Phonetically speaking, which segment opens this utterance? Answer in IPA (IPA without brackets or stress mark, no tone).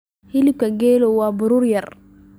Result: h